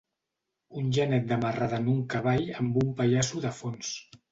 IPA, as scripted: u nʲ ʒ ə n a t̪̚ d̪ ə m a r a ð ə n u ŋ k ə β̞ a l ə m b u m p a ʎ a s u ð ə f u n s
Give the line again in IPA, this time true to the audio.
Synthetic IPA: u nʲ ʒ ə n ɛ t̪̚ d̪ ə m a r a ð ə n u ŋ k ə β̞ a ʎ ə m b u m p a ʎ a s u ð ə f o n s